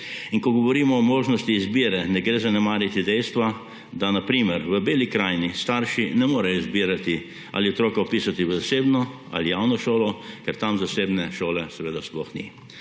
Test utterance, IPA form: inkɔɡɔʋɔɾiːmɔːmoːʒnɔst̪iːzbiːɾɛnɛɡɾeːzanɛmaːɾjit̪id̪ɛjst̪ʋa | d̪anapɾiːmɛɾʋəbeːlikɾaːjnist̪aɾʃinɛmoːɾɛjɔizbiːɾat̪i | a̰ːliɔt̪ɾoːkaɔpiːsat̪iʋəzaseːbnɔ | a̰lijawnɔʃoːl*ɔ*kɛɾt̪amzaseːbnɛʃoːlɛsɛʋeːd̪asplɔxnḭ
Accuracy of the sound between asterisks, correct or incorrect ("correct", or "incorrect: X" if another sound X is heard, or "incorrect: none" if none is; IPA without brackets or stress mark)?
correct